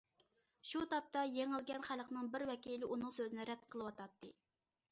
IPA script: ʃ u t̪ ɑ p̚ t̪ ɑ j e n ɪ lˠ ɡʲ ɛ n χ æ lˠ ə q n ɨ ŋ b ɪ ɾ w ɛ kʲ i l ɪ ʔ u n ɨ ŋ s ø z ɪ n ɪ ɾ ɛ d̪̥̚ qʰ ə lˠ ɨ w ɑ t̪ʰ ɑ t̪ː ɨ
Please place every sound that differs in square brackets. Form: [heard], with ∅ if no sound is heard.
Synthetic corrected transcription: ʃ u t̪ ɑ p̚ t̪ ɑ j e [ŋ] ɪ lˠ ɡʲ ɛ n χ æ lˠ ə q n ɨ ŋ b ɪ ɾ w ɛ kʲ i l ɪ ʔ u n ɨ ŋ s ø z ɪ n ɪ ɾ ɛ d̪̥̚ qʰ ə lˠ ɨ w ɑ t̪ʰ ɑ t̪ː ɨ